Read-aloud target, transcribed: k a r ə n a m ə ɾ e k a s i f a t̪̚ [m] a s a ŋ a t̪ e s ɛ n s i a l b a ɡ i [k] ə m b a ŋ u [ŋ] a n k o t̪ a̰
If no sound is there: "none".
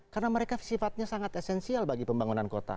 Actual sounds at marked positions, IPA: ɲ, p, n

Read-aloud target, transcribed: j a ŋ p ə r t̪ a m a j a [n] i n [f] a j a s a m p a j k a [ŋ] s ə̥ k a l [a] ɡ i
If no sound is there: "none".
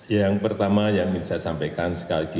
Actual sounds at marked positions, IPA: m, s, n, i

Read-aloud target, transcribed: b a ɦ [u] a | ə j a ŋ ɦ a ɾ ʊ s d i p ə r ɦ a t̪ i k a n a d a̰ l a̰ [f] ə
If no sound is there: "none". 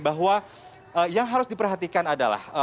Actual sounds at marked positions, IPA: w, h

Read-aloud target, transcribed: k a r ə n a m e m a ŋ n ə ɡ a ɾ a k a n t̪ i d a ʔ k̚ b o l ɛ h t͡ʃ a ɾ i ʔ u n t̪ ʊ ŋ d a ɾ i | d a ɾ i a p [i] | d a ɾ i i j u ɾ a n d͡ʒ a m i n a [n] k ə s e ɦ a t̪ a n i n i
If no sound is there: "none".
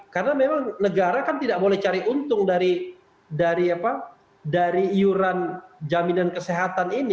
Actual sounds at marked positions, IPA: a, n

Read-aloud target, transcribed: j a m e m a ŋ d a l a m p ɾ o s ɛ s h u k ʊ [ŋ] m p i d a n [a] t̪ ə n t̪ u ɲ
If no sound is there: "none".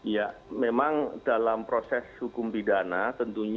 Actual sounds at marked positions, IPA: none, a

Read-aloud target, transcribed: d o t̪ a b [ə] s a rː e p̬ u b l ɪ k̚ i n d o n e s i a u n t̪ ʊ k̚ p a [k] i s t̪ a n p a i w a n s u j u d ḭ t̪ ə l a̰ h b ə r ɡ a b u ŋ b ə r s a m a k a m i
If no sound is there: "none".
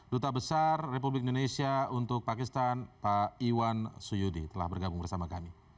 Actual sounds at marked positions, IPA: ə, k

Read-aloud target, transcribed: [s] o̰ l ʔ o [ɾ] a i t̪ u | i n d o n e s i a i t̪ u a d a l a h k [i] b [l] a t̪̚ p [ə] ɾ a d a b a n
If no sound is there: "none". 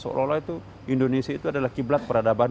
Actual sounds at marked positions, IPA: s, l, i, l, ə

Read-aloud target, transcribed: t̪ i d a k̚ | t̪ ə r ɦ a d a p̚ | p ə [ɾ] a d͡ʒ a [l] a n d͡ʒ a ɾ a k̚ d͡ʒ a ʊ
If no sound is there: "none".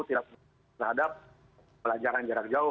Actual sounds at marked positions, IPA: l, ɾ

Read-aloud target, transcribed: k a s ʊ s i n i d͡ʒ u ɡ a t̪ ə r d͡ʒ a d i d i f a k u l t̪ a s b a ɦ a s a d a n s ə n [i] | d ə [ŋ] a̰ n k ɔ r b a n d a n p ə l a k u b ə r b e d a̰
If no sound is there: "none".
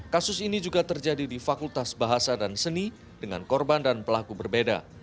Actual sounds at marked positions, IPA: i, ŋ

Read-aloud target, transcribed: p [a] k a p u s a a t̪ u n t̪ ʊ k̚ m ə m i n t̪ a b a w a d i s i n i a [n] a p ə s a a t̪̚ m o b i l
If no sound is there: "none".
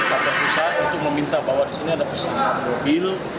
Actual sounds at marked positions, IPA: a, d

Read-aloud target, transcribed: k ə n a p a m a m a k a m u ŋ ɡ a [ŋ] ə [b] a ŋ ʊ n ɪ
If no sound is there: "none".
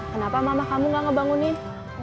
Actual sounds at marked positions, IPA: ŋ, b

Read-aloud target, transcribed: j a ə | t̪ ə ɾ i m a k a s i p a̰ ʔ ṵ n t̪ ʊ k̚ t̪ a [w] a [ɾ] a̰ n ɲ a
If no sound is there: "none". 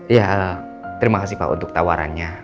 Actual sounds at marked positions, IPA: w, ɾ

